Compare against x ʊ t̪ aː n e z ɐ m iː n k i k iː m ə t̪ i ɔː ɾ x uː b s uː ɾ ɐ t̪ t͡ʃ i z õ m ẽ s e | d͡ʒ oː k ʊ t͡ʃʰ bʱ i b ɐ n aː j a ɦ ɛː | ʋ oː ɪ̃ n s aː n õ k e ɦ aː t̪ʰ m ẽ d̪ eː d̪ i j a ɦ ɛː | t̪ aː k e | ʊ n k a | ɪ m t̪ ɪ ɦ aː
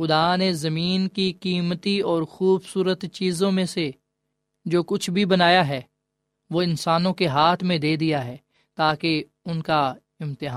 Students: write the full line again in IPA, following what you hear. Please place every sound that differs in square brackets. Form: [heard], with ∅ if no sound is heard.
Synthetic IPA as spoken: x ʊ [d̪] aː n e z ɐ m iː n k i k iː m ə t̪ i ɔː ɾ x uː b s uː ɾ [ə] t̪ t͡ʃ [iː] z õ m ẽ s e | d͡ʒ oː k ʊ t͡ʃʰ bʱ i b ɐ n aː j a ɦ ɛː | ʋ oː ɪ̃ n s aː n õ k e ɦ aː t̪ʰ m ẽ d̪ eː d̪ i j a ɦ ɛː | t̪ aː k e | ʊ n k a | ɪ m t̪ ɪ ɦ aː